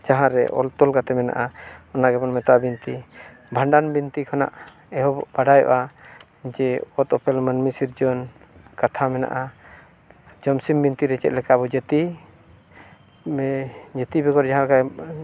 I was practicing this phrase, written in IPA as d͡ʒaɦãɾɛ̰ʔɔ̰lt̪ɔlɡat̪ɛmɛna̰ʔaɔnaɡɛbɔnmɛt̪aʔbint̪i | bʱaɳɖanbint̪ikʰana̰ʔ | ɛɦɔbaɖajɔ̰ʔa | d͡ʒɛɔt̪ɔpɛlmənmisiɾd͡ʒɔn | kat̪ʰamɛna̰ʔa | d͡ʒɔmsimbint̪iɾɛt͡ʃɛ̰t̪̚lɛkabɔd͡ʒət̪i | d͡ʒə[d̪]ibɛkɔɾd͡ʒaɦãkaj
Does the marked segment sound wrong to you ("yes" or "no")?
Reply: yes